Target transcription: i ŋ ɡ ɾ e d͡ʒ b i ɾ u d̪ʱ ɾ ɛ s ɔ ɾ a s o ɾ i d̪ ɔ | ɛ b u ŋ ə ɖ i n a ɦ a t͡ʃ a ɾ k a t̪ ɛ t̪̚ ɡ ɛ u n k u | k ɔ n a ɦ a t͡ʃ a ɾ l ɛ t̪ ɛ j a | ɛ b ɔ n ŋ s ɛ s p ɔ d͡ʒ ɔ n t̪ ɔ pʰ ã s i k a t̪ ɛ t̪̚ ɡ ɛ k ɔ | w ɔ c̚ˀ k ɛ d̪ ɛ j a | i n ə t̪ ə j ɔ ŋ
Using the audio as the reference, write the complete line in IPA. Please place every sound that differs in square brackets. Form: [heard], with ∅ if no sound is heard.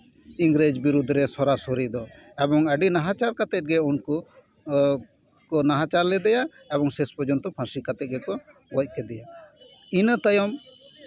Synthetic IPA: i ŋ ɡ ɾ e d͡ʒ b i ɾ u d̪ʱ ɾ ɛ s ɔ ɾ a s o ɾ i d̪ ɔ | ɛ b [ɔ] ŋ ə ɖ i n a ɦ a t͡ʃ a ɾ k a t̪ ɛ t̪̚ ɡ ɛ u n k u | k ɔ n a ɦ a t͡ʃ a ɾ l ɛ [d̪] ɛ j a | ɛ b ɔ [∅] ŋ s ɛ s p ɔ d͡ʒ ɔ n t̪ ɔ pʰ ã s i k a t̪ ɛ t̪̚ ɡ ɛ k ɔ | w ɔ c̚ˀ k ɛ d̪ ɛ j a | i n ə t̪ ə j ɔ [m]

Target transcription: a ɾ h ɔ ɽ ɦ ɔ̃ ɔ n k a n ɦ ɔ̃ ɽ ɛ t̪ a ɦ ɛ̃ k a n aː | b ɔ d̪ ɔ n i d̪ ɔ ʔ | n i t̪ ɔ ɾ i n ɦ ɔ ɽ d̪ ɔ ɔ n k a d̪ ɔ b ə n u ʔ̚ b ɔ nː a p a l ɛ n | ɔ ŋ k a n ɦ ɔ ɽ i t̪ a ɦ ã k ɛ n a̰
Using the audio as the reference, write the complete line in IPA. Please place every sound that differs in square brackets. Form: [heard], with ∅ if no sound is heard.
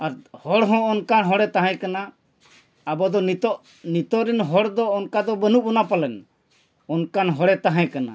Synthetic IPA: a ɾ h ɔ ɽ ɦ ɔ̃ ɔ n k a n ɦ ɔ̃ ɽ ɛ t̪ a ɦ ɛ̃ k a n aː | b ɔ d̪ ɔ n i [t̪] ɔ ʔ | n i t̪ ɔ ɾ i n ɦ ɔ ɽ d̪ ɔ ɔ n k a d̪ ɔ b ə n u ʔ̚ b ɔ [n] a p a l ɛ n | ɔ [n] k a n ɦ ɔ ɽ [ɛ] t̪ a ɦ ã k [a] n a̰

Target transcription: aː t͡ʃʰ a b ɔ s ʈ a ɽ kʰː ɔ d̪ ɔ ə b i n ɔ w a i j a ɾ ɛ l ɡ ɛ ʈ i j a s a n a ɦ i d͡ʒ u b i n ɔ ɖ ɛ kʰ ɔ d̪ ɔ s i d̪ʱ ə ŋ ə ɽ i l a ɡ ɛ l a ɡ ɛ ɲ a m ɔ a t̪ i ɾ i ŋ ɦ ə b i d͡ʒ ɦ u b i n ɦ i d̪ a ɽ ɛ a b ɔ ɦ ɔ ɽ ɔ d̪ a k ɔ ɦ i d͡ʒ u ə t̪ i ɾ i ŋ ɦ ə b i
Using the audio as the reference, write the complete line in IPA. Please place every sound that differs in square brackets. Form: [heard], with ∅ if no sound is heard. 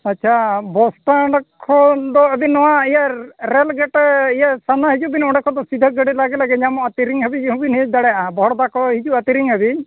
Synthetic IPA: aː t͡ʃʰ a b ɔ s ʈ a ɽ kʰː ɔ d̪ ɔ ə b i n ɔ w a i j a ɾ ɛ l ɡ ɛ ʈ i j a s a n a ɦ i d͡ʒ u b i n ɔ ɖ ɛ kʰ ɔ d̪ ɔ s i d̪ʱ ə [ɡ] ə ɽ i l a ɡ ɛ l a ɡ ɛ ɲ a m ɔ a t̪ i ɾ i ŋ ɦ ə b i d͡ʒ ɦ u b i n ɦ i d̪ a ɽ ɛ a b ɔ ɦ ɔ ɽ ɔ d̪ a k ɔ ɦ i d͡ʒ u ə t̪ i ɾ i ŋ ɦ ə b i

